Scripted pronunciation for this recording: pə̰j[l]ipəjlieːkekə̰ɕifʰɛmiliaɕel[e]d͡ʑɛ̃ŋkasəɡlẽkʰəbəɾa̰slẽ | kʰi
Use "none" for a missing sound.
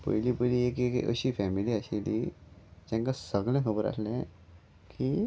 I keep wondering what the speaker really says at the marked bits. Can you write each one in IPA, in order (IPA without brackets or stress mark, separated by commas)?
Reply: l, i